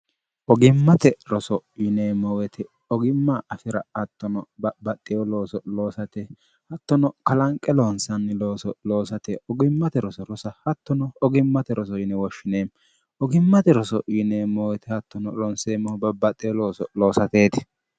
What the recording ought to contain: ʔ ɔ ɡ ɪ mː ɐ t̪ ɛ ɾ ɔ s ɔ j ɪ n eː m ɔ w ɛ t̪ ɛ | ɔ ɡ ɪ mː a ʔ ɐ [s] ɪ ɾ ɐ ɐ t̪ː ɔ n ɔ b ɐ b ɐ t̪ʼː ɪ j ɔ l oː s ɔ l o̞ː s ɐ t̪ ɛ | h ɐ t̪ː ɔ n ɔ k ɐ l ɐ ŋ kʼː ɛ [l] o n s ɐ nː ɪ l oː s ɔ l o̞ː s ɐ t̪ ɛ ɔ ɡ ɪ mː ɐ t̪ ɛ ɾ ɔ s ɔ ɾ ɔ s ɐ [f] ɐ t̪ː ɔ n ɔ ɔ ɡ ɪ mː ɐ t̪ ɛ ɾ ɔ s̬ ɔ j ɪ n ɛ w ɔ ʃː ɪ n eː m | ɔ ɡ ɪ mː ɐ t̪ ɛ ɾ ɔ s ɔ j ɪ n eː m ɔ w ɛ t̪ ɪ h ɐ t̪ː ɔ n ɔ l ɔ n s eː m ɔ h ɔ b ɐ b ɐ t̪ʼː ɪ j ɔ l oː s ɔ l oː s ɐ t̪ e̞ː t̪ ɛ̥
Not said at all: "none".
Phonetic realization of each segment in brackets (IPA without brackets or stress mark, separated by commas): f, l, h